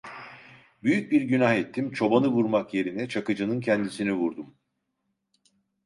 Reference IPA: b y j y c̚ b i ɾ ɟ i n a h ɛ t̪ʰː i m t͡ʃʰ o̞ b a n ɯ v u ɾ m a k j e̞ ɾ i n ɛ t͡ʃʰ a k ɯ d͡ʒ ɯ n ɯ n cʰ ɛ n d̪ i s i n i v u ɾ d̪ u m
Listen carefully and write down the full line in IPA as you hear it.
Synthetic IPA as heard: b y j y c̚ b i ɾ ɟ y n a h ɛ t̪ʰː i m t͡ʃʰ o̞ b a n ɯ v u ɾ m a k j e̞ ɾ i n ɛ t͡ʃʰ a k ɯ d͡ʒ ɯ n ɯ n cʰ ɛ n d̪ i s i n i v u ɾ d̪ u m